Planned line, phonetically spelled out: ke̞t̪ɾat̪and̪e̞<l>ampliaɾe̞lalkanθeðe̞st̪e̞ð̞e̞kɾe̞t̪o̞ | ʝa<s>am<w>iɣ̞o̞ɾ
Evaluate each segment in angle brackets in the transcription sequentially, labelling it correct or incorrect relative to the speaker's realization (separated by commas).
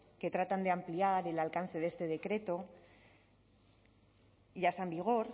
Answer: incorrect, correct, incorrect